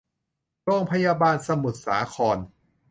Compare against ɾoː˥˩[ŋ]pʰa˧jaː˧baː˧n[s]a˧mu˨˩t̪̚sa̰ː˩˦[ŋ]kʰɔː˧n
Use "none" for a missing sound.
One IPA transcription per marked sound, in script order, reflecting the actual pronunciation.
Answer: ŋ, s, none

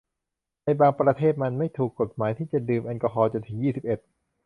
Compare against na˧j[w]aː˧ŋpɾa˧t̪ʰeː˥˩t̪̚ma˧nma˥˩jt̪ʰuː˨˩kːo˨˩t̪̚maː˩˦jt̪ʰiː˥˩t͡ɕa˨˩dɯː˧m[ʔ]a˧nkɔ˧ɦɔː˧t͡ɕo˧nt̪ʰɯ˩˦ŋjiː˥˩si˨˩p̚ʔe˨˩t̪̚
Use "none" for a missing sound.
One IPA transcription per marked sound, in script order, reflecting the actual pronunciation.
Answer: b, ʔ

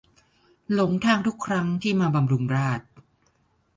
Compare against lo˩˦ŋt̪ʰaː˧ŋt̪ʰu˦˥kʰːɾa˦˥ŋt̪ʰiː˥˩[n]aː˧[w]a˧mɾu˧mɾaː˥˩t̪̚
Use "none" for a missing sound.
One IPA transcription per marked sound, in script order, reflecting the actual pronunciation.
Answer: m, b

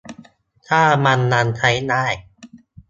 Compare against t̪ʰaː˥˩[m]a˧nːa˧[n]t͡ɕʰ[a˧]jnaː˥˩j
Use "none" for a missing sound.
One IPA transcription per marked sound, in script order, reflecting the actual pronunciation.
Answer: m, n, a˦˥

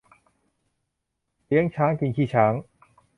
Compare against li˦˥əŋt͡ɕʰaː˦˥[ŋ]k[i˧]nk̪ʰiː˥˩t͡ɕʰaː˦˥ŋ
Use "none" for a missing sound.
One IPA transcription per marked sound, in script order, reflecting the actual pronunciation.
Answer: ŋ, i˧

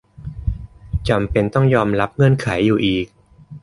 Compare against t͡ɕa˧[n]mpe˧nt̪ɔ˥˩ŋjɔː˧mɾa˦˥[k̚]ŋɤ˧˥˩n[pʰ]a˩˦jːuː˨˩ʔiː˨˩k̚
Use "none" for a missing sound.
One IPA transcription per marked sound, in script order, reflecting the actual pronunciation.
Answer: none, p̚, kʰ

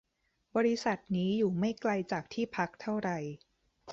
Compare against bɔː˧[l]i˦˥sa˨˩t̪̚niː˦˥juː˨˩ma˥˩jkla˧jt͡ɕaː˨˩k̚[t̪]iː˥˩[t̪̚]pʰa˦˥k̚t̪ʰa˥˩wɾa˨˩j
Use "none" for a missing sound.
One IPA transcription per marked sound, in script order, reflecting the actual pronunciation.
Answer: ɾ, t̪ʰ, none

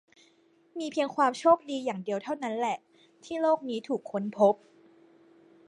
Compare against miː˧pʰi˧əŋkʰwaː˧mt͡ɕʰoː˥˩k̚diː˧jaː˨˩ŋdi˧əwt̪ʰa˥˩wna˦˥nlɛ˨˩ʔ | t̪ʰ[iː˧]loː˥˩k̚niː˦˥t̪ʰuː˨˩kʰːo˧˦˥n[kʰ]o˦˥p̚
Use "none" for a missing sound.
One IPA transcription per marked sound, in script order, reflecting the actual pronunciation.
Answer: iː˥˩, pʰ

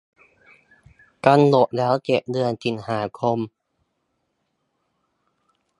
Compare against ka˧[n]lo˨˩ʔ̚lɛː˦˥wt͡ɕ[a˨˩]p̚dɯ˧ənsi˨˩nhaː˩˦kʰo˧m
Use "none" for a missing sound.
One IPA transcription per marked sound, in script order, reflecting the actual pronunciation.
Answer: n, e˨˩

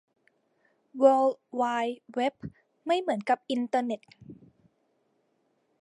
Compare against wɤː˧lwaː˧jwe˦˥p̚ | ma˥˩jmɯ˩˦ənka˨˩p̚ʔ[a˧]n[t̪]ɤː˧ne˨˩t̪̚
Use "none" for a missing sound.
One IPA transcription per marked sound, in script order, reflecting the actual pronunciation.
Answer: i˧, t̪

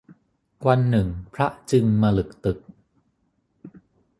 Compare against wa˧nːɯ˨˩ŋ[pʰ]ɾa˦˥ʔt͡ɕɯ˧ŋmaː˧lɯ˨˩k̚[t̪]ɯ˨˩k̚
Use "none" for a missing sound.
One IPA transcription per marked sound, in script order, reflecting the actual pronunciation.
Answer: pʰ, t̪

